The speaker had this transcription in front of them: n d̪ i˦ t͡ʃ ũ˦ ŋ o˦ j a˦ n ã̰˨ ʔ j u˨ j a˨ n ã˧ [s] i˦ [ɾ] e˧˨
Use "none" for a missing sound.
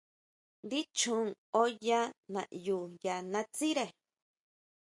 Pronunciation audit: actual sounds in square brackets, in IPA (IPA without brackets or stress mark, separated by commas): t͡s, ɾ